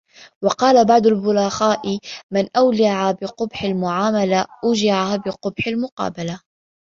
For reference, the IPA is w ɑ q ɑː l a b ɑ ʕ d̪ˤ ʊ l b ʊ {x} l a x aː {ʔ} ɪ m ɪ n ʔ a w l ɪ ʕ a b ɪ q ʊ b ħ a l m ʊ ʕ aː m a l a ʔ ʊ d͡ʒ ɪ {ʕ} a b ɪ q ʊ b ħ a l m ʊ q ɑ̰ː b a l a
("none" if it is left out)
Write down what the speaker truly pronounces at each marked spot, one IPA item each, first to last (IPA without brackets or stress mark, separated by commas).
none, ʔ, ʕ